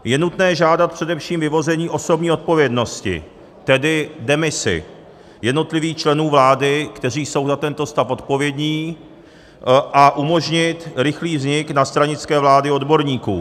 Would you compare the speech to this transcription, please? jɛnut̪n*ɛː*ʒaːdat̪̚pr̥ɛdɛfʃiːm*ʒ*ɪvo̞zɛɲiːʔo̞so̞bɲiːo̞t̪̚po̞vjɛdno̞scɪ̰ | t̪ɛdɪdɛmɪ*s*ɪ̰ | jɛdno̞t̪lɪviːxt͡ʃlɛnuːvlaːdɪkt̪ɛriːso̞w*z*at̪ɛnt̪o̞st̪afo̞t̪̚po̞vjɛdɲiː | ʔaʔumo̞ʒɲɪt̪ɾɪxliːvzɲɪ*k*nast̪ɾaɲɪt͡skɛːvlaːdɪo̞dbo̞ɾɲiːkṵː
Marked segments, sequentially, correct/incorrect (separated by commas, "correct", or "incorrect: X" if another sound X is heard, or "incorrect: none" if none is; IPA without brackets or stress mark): correct, incorrect: v, correct, correct, correct